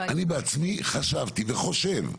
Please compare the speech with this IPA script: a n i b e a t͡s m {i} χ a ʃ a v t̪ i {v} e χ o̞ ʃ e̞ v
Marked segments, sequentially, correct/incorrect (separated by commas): correct, correct